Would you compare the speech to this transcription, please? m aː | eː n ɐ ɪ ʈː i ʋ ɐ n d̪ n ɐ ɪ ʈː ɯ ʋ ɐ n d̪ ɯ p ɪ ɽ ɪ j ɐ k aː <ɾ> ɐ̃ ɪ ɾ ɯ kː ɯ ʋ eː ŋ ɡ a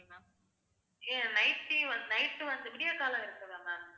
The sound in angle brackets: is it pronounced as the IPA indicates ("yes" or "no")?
no